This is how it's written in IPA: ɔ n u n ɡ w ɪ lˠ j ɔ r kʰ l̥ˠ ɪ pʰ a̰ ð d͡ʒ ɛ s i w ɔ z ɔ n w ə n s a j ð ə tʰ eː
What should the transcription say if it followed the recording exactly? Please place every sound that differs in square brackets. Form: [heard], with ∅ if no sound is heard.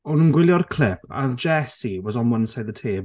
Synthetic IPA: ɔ n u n ɡ w ɪ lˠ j ɔ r kʰ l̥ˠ ɪ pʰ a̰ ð d͡ʒ ɛ s i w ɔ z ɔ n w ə n s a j ð ə tʰ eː